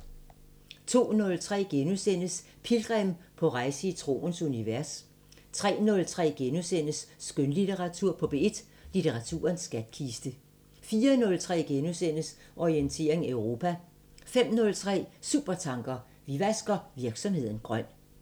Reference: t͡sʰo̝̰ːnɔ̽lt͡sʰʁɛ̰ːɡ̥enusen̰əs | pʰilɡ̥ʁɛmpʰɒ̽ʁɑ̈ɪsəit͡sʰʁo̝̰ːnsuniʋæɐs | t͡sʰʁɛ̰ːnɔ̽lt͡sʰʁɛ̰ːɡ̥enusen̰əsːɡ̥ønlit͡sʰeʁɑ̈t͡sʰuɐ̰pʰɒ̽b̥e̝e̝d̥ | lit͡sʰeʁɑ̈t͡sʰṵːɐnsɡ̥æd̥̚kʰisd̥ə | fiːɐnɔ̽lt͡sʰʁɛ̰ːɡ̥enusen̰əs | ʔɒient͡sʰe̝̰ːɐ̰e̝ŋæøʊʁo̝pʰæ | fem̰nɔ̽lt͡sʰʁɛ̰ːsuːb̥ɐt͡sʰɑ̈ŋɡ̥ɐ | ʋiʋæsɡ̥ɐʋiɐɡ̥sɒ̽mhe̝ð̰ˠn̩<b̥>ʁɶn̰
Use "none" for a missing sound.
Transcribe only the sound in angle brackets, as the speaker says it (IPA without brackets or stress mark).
ɡ̥